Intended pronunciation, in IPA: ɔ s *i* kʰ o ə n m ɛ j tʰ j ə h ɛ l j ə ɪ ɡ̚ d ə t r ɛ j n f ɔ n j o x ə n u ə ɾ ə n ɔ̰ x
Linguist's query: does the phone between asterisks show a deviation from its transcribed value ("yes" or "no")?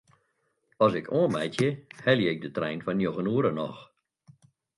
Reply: yes